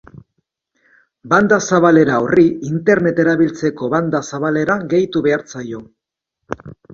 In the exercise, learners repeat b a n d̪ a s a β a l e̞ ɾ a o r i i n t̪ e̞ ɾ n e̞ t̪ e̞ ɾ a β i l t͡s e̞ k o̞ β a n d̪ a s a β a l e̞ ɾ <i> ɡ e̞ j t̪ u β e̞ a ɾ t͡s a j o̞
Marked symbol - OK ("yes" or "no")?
no